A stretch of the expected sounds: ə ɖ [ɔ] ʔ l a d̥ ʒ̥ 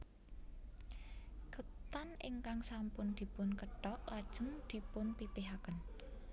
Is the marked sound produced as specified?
yes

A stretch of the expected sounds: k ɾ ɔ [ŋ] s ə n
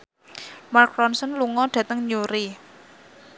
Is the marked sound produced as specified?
no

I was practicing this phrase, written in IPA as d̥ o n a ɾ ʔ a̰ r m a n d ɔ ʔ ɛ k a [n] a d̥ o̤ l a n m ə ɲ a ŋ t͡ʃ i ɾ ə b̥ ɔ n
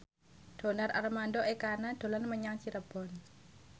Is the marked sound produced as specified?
yes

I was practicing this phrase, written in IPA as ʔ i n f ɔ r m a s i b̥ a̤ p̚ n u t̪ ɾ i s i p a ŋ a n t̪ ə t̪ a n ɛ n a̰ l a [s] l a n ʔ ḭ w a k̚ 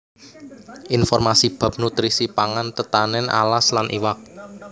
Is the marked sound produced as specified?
yes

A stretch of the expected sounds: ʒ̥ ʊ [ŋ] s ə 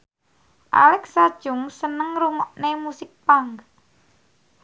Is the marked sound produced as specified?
yes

